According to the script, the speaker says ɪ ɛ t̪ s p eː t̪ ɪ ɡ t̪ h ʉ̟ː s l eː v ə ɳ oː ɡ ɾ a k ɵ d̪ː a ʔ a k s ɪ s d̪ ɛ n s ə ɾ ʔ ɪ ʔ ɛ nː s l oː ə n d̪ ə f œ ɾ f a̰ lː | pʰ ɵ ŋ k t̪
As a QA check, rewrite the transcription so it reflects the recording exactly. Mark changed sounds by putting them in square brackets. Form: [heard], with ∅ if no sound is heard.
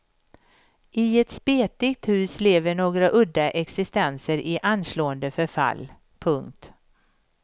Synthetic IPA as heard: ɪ ɛ t̪ s p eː t̪ ɪ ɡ t̪ h ʉ̟ː s l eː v ə ɳ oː ɡ ɾ a [ʔ] ɵ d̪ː a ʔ [ɛ] k s ɪ s [t̪] ɛ n s ə ɾ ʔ ɪ ʔ [a] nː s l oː ə n d̪ ə f œ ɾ f a̰ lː | pʰ ɵ ŋ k t̪